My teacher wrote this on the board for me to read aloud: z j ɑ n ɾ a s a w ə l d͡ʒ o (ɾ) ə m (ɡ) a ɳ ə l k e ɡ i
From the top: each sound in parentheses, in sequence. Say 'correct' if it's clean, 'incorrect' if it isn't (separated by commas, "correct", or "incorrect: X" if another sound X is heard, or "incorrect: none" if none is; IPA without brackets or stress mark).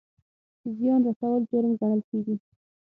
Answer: correct, correct